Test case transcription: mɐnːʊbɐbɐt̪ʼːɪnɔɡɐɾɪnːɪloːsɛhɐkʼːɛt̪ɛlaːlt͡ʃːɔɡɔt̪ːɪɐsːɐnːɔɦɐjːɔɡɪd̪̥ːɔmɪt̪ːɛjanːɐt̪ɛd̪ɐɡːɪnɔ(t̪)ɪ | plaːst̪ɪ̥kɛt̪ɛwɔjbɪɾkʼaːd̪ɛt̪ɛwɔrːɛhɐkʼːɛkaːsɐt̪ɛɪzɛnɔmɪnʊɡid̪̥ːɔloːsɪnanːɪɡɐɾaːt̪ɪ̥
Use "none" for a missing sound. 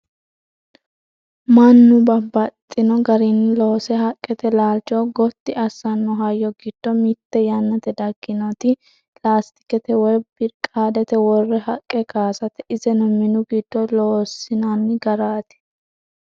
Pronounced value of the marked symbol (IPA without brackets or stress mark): t̪